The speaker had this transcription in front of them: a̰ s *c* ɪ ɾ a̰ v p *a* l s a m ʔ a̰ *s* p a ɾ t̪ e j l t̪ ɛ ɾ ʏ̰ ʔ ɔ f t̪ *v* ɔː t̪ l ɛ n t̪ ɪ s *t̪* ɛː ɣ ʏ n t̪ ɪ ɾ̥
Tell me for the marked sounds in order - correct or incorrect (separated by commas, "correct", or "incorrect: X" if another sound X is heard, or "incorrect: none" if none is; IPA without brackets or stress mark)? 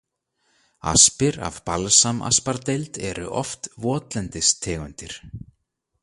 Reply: incorrect: p, correct, correct, correct, incorrect: t̪ʰ